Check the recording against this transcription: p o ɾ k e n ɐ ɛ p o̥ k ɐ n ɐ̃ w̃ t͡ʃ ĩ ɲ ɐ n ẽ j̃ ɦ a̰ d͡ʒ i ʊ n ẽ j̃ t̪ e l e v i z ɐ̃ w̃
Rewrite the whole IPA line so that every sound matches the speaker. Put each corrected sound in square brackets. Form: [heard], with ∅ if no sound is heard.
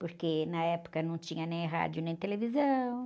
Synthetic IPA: p o ɾ k e n ɐ ɛ p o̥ k ɐ n ɐ̃ w̃ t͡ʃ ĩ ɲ ɐ n ẽ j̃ ɦ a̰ d͡ʒ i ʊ n ẽ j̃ t̪ e l e v i z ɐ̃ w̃